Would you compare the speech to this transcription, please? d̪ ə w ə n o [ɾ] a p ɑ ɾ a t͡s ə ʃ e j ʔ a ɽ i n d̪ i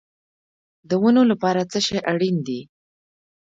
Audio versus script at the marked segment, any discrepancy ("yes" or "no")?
yes